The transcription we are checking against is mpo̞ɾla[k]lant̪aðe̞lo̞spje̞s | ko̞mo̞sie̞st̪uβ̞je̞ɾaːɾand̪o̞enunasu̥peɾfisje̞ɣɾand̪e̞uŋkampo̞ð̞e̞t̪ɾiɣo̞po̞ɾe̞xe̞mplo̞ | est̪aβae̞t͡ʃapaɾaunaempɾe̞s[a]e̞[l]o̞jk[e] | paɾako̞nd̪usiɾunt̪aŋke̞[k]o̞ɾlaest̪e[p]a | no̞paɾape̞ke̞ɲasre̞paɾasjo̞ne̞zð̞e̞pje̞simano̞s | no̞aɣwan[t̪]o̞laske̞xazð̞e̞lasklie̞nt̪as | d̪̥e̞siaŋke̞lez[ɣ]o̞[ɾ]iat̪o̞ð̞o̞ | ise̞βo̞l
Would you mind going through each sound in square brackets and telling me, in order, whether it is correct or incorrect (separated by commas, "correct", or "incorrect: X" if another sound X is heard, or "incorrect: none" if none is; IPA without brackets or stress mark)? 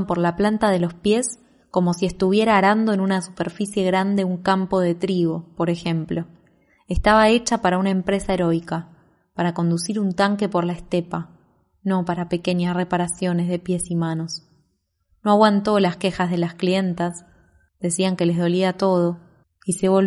incorrect: p, correct, incorrect: ɾ, incorrect: a, incorrect: p, correct, correct, incorrect: ð, incorrect: l